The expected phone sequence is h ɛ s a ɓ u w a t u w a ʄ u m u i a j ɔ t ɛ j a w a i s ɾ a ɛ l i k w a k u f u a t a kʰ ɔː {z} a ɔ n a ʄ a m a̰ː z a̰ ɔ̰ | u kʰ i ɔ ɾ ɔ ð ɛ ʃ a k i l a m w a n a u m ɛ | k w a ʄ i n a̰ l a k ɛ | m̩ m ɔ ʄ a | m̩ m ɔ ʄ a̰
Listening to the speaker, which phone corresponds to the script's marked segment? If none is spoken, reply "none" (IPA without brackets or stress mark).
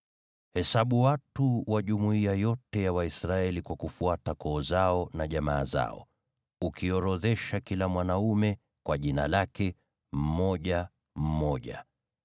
z